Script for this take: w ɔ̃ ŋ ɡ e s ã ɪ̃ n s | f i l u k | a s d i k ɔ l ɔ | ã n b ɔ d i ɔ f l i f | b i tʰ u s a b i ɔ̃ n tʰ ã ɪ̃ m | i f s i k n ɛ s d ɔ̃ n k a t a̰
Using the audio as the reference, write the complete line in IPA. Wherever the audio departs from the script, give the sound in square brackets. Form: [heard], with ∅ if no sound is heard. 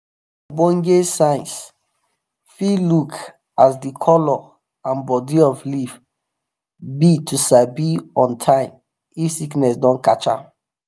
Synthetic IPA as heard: [b] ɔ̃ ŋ ɡ e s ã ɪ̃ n s | f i l u k | a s d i [kʰ] ɔ l ɔ | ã n b ɔ d i ɔ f l i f | b i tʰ u s a b i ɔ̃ n tʰ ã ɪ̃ m | i f s i k n ɛ s d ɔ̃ n k a [t͡ʃ] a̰